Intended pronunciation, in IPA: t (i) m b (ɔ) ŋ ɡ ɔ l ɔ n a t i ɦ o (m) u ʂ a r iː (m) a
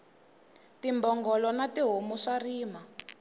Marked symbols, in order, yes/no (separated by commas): yes, yes, yes, yes